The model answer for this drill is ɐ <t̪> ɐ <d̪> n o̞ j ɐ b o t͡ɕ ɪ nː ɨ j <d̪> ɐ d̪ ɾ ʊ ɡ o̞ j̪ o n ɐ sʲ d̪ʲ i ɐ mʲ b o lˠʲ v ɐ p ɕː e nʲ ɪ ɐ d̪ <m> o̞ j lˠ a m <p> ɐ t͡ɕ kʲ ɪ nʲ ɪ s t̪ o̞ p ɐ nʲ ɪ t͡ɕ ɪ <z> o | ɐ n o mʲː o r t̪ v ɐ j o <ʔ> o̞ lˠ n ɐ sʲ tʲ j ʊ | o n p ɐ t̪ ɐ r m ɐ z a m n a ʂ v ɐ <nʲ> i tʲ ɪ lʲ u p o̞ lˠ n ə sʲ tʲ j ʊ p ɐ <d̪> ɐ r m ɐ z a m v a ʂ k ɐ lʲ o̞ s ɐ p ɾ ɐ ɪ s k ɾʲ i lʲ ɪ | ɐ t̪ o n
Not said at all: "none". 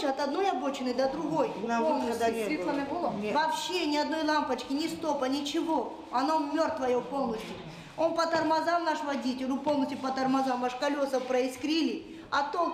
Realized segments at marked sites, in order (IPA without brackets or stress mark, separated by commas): t̪, d̪, d̪, n, p, v, p, dʲ, t̪